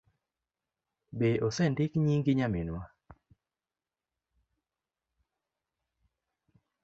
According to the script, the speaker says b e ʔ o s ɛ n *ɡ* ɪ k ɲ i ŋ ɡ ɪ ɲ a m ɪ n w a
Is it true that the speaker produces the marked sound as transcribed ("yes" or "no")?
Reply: no